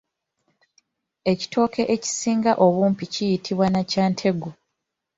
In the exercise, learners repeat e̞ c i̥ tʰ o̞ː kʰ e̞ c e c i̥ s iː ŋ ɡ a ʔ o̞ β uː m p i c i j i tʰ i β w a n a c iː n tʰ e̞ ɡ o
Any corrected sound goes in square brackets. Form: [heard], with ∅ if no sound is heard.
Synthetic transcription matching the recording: e̞ c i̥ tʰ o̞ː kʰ e̞ [ʔ] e c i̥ s iː ŋ ɡ a ʔ o̞ β uː m p i c i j i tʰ i β w a n a c [aː] n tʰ e̞ ɡ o